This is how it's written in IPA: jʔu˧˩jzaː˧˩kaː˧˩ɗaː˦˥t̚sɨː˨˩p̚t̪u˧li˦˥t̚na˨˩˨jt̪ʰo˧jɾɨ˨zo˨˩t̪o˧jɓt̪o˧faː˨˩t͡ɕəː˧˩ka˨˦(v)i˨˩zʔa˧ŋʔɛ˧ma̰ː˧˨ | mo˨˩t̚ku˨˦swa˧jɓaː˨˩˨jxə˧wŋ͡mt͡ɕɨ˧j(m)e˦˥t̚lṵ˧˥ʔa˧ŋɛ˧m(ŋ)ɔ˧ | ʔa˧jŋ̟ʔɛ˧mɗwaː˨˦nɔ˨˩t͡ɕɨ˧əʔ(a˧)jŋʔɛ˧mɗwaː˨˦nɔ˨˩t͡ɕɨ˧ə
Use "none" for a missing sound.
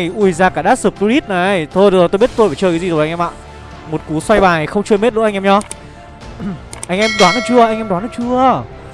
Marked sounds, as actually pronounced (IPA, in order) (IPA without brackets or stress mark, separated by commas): z, m, ɲ, a˧